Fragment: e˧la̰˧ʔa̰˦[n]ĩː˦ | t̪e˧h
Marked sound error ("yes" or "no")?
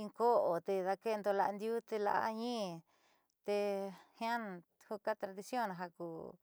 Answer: yes